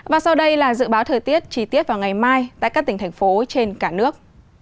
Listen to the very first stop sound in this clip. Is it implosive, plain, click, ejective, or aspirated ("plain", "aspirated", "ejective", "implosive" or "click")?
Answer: implosive